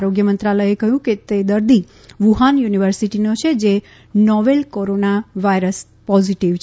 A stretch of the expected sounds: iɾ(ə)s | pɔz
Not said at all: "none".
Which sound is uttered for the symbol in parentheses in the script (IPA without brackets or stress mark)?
ə